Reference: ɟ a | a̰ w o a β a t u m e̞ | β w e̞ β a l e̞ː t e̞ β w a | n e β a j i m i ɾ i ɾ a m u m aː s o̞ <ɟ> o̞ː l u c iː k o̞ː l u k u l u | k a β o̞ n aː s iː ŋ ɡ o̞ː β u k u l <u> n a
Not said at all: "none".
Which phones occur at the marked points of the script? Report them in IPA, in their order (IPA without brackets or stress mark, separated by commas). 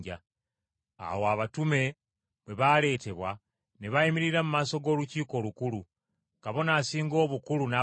ɡ, u